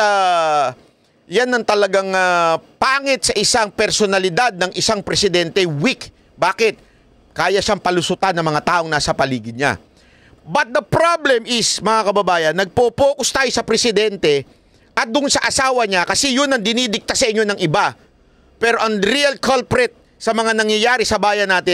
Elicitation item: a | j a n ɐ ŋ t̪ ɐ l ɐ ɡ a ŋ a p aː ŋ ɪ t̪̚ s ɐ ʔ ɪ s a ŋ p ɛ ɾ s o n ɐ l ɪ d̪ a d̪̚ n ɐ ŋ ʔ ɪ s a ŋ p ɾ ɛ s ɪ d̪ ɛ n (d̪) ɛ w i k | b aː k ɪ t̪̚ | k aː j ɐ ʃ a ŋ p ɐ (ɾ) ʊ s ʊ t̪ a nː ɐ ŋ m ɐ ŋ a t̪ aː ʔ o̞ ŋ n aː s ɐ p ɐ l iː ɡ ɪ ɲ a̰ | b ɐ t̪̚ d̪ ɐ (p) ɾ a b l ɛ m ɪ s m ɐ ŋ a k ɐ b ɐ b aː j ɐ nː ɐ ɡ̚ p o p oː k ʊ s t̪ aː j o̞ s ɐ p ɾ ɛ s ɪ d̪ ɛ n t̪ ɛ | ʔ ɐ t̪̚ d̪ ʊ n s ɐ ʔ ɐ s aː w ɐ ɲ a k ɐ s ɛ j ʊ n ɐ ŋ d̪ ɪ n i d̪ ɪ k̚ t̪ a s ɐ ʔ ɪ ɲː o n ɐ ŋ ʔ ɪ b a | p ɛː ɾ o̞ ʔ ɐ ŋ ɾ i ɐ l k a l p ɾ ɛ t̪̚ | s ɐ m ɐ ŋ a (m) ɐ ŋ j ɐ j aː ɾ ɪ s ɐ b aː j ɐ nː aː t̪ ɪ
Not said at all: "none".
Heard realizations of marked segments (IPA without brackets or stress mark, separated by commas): t̪, l, p, n